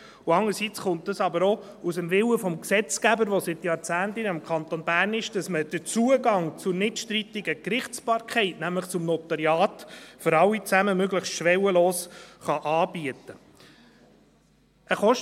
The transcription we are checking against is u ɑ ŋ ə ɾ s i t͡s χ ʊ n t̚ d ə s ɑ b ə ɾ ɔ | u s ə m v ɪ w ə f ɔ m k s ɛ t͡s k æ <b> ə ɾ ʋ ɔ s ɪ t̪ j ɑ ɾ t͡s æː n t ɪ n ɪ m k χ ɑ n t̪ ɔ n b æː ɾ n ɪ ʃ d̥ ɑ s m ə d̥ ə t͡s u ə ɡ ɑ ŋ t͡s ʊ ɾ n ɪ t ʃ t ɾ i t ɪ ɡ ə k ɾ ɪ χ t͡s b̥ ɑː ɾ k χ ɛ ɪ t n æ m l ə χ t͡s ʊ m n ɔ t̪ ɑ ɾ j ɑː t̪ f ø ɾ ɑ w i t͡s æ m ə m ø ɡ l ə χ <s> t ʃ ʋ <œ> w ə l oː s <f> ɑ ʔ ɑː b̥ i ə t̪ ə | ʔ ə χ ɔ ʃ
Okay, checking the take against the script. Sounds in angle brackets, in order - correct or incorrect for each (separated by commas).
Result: correct, correct, incorrect, incorrect